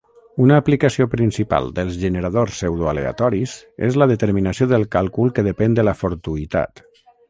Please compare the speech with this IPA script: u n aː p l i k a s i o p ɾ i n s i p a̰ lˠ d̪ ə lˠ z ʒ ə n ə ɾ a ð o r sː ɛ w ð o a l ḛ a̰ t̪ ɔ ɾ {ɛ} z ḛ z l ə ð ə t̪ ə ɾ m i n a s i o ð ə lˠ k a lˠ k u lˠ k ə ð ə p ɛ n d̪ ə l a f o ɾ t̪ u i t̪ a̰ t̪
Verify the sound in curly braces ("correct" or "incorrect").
incorrect